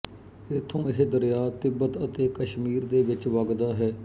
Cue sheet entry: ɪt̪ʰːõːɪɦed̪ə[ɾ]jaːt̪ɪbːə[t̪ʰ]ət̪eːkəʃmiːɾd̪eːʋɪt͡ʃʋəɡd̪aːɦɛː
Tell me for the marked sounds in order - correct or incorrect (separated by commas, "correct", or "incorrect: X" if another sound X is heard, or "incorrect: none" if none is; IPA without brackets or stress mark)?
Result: correct, incorrect: t̪